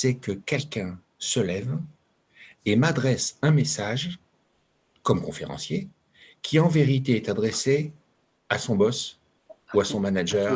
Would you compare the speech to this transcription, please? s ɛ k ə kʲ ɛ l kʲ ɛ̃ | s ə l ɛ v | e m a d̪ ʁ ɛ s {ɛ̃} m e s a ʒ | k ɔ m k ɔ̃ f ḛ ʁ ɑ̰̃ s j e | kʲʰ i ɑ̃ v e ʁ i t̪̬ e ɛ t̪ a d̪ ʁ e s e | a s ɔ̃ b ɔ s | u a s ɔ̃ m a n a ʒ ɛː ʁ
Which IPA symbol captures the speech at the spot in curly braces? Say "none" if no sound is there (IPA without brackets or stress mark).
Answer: ɛ̃